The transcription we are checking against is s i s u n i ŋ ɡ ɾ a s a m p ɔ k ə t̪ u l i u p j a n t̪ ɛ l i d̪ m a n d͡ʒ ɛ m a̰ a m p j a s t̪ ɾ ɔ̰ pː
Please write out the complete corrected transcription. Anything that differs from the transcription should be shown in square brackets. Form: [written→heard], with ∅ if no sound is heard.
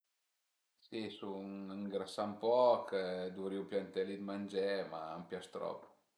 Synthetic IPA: s i s u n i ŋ ɡ ɾ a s a m p ɔ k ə [t̪→d̪] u [l→ɾ] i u p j a n t̪ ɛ l i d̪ m a n d͡ʒ ɛ m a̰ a m p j a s t̪ ɾ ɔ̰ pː